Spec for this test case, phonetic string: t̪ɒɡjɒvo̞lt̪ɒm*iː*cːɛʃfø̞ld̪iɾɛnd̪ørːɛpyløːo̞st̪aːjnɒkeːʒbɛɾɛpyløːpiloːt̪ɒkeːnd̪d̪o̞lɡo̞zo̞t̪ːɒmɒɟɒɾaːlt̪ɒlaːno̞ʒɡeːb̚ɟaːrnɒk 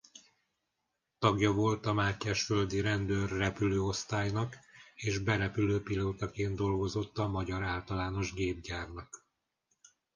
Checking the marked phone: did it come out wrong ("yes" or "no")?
yes